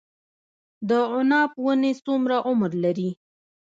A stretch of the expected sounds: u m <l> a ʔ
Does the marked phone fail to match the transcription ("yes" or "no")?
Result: yes